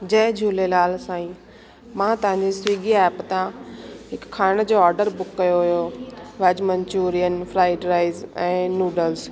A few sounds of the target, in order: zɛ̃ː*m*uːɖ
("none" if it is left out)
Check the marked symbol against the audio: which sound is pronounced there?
n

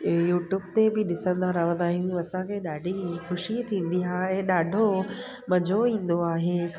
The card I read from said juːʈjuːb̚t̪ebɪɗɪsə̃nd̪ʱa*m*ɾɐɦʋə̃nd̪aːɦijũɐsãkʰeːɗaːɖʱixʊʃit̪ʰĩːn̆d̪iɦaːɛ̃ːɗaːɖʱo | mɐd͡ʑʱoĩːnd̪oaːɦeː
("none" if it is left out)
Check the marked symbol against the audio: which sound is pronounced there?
none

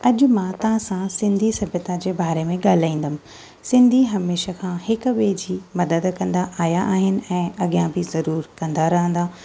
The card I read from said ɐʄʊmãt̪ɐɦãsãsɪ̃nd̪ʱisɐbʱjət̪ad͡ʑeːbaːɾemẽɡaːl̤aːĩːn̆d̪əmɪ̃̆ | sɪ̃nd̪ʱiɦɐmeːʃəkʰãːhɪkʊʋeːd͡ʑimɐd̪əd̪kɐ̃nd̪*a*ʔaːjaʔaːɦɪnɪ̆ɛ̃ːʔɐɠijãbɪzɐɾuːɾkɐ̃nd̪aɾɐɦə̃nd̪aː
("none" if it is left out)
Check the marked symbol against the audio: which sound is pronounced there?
a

